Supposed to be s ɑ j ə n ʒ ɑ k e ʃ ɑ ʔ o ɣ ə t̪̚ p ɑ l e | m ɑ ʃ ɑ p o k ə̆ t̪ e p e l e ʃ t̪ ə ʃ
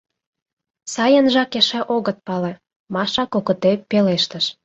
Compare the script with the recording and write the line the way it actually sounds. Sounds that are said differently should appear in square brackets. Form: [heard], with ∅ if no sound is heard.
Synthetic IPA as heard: s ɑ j ə n ʒ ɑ k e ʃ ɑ ʔ o ɣ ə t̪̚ p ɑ l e | m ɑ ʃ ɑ [k] o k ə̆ t̪ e p e l e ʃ t̪ ə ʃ